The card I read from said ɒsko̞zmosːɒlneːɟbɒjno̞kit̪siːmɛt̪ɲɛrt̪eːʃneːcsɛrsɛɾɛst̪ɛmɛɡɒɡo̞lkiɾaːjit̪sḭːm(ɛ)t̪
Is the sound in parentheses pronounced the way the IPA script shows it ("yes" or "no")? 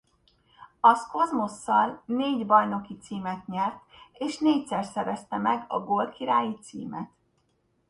yes